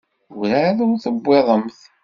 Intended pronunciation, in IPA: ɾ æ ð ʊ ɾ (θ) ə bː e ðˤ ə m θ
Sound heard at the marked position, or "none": θ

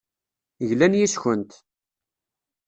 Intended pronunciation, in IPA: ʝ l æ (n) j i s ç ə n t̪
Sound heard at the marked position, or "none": n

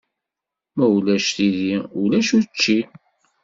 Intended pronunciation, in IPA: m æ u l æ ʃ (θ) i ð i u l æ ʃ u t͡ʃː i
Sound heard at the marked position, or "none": θ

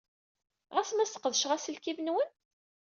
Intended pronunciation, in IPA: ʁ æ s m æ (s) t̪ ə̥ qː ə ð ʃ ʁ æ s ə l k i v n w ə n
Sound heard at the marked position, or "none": s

